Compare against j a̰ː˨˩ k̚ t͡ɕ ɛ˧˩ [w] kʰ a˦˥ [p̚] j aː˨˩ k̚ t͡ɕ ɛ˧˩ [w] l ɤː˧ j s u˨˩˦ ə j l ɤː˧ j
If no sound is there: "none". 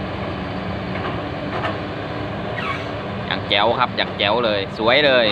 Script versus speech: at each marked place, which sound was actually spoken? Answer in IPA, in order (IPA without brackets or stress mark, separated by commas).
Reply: w, p̚, w